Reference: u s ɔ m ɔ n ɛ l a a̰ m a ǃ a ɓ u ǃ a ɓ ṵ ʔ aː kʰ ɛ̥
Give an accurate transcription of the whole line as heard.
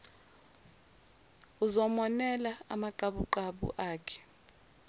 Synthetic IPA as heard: u z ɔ m ɔ n ɛ l a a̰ m a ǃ a ɓ u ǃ a ɓ ṵ ʔ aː kʰ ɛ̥